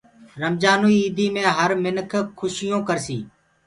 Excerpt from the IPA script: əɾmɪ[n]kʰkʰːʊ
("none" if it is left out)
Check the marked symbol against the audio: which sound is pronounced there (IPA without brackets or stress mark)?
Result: n